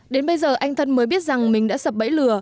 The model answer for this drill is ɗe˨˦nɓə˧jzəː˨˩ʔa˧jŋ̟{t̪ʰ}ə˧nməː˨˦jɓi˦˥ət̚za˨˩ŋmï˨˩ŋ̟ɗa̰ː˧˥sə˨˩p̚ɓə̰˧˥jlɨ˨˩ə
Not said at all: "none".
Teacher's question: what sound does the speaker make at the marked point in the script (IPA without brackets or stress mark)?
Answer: t̪ʰ